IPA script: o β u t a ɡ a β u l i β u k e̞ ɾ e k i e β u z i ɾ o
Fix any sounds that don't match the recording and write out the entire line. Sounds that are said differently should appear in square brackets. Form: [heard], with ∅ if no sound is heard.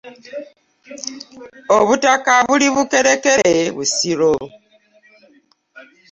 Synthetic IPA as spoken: o β u t a [k] a β u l i β u k e̞ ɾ e k [e] e β u [s] i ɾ o